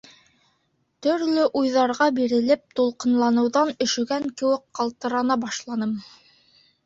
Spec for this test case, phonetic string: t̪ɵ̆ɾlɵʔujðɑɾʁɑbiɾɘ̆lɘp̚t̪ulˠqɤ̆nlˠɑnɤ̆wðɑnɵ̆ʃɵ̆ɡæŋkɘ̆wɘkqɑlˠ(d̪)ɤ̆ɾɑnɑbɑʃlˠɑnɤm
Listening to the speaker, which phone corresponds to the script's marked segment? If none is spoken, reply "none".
t̪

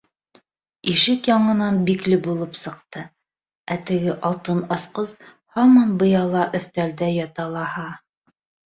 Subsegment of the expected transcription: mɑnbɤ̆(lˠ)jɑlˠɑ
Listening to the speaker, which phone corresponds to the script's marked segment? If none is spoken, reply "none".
none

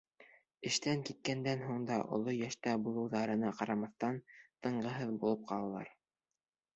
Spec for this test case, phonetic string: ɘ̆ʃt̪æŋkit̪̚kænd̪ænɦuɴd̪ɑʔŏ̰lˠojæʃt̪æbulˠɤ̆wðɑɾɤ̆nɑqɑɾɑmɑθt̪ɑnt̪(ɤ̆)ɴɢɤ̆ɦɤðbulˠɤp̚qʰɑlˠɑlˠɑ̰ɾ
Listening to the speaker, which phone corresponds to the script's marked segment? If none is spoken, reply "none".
ɤ̆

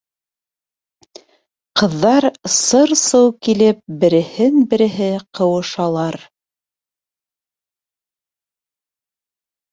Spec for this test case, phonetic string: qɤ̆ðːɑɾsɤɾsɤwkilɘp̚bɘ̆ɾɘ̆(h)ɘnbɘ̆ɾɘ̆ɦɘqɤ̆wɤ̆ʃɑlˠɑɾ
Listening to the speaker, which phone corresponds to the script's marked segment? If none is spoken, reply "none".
h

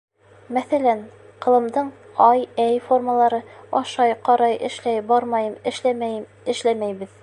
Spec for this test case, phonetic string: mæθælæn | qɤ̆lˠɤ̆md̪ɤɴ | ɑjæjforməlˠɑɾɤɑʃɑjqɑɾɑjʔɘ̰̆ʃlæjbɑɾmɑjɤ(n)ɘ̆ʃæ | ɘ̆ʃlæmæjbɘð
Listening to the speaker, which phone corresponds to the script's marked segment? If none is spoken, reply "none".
m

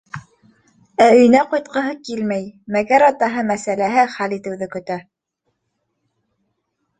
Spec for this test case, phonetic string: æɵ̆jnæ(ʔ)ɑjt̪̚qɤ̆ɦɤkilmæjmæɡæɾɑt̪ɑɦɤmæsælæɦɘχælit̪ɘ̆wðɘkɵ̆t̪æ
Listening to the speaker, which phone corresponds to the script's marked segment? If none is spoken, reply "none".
q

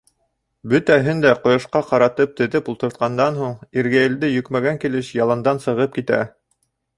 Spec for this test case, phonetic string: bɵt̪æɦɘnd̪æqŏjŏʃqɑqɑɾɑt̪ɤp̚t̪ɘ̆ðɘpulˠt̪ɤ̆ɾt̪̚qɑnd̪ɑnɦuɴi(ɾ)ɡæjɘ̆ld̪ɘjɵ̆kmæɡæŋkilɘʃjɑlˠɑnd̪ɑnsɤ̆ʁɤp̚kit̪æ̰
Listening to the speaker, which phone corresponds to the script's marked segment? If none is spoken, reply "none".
ɾ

